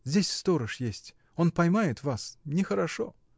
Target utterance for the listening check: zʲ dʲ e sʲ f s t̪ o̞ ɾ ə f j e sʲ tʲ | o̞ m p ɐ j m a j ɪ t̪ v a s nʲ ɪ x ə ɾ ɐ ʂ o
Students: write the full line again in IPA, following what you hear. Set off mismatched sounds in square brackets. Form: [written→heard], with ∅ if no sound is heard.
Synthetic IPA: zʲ dʲ e sʲ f s t̪ o̞ ɾ ə [f→ʂ] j e sʲ tʲ | o̞ [m→n] p ɐ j m a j ɪ t̪ v a s nʲ ɪ x ə ɾ ɐ ʂ o